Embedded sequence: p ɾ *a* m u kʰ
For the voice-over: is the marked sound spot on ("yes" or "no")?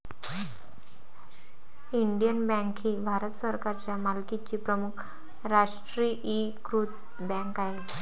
no